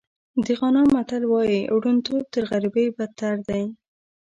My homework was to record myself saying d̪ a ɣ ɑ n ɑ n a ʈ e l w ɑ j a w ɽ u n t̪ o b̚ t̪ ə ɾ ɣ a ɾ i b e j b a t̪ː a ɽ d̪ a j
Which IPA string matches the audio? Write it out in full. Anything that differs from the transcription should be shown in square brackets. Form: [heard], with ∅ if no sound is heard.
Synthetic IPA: d̪ [ə] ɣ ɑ n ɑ [m] a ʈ [a] l w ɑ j [i] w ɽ u n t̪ o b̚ t̪ ə ɾ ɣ a ɾ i b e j b a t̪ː a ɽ d̪ a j